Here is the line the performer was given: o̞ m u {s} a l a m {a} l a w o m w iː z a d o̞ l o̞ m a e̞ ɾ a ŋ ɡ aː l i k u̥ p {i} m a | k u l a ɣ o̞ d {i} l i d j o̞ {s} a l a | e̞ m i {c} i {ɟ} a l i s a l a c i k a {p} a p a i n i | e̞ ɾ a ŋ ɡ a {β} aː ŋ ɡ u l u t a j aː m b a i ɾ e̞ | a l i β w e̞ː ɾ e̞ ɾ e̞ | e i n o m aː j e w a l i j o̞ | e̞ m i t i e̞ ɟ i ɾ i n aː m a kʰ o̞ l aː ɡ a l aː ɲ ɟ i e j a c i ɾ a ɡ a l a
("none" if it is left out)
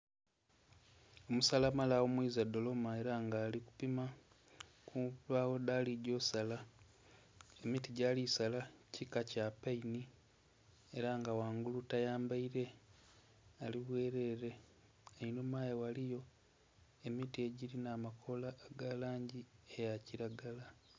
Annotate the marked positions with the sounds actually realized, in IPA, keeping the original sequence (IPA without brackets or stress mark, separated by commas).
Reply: s, a, i, a, s, t, ɟ, c, w